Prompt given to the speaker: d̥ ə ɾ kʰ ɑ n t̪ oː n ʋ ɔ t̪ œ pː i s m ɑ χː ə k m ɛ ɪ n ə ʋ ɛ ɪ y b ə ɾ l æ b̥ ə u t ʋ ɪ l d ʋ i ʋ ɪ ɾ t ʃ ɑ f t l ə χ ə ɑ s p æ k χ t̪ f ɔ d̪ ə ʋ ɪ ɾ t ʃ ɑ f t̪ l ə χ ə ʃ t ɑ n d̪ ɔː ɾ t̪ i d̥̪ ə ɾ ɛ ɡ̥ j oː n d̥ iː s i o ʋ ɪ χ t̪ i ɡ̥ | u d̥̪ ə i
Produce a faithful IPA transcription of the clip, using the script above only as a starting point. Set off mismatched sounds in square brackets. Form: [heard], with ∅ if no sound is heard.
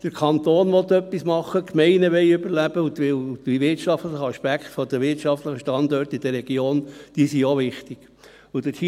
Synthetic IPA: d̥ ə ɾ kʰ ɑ n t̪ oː n ʋ ɔ t̪ œ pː i s m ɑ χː ə k m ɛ ɪ n ə ʋ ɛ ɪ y b ə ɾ l æ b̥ ə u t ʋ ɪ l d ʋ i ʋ ɪ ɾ t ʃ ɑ f t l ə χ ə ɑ [ʃ] p æ k χ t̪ f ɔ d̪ ə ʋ ɪ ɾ t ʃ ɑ f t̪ l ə χ ə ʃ t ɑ n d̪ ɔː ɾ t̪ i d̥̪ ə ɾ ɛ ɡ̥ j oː n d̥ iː s i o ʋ ɪ χ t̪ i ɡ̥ | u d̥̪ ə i